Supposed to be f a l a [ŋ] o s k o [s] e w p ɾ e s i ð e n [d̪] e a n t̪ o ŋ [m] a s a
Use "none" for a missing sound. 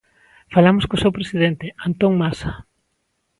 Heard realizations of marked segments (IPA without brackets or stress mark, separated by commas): m, s, t̪, m